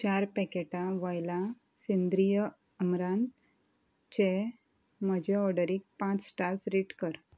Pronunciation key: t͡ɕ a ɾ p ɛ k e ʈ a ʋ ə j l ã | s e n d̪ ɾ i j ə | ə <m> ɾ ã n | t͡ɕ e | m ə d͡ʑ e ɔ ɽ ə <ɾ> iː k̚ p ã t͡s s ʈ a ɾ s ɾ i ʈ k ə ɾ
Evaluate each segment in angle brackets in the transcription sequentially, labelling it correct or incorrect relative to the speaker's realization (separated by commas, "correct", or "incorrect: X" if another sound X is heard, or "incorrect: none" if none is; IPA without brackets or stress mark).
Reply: correct, correct